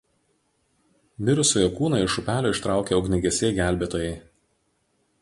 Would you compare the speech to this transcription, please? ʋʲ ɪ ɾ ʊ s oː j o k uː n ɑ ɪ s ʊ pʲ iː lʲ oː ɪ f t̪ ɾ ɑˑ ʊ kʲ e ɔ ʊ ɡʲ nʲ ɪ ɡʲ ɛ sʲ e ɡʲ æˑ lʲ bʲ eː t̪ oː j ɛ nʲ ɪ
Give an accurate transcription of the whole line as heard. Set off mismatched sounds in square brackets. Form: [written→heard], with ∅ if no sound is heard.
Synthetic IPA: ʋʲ ɪ ɾ ʊ s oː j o k uː n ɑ ɪ [s→ʃ] ʊ pʲ [iː→æː] lʲ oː ɪ [f→ʃ] t̪ ɾ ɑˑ ʊ kʲ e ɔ ʊ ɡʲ nʲ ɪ ɡʲ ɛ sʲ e ɡʲ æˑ lʲ bʲ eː t̪ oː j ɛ [nʲ→∅] ɪ